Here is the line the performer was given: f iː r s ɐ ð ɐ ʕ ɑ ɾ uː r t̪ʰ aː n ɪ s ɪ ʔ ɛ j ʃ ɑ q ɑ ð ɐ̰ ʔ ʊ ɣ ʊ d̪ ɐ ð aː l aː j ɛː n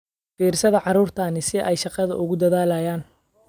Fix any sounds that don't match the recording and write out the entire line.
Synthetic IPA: f iː r s ɐ ð ɐ ʕ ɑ ɾ uː r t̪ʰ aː n ɪ s ɪ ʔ ɛ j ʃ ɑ q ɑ ð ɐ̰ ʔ ʊ ɣ ʊ d̪ ɐ ð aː l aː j aː n